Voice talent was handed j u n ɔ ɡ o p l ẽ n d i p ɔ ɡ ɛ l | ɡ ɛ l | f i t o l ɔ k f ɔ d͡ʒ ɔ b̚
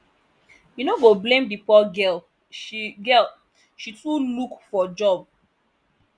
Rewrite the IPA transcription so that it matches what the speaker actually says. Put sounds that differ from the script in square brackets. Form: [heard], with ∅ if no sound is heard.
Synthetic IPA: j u n [o] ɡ o [b] l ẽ [m] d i p ɔ ɡ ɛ l | ɡ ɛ l | [ʃ] i t [u] l [u] k f ɔ d͡ʒ ɔ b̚